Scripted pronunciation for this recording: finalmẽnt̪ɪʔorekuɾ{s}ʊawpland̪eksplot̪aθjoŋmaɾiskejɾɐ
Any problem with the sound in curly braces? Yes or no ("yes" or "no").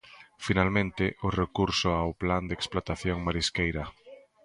no